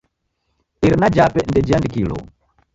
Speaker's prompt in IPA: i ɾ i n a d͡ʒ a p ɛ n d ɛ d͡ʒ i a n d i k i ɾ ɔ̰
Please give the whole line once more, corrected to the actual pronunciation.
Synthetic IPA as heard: i ɾ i n a d͡ʒ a p ɛ n d ɛ d͡ʒ i a n d i k i l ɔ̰